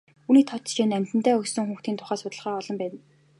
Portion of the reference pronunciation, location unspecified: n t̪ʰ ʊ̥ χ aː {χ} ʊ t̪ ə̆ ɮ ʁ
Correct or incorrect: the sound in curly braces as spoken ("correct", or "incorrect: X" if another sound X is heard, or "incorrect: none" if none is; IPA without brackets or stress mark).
incorrect: s